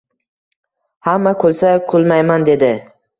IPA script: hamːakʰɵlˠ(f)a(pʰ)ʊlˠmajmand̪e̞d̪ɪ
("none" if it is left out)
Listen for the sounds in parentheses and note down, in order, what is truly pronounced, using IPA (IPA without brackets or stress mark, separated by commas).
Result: s, kʰ